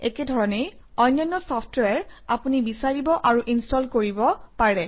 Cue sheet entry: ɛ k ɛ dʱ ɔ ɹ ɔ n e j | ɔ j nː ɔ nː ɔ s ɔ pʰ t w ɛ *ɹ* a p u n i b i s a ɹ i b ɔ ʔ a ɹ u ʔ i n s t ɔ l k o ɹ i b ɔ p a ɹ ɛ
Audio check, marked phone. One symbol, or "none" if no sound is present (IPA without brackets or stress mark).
ɹ